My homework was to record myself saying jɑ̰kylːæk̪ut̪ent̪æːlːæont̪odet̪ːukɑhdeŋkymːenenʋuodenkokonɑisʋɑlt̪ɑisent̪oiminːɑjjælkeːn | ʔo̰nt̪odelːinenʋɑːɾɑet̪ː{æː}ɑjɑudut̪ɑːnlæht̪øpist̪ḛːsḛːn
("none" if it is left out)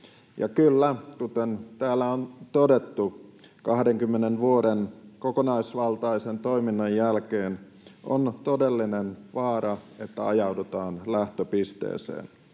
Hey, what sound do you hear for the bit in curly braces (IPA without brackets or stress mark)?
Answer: æ